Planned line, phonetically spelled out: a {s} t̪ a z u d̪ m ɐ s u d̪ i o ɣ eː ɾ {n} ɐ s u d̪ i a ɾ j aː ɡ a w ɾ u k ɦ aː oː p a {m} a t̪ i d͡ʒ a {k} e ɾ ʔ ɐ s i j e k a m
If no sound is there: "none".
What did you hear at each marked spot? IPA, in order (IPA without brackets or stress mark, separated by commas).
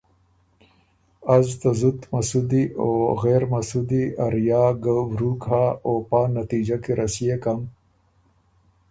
z, m, n, k